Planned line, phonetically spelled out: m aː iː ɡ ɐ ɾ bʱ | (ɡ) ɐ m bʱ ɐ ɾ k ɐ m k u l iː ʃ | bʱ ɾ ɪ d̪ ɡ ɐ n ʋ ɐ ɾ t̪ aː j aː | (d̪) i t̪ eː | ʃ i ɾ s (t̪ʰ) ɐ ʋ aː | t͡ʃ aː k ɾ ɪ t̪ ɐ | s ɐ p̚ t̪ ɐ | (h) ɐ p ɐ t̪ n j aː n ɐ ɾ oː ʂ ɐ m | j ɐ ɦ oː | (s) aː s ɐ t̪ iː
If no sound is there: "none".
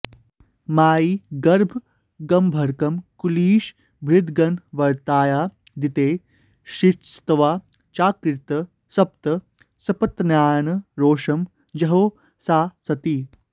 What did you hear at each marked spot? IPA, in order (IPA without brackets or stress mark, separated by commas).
ɡ, d̪, t̪, s, s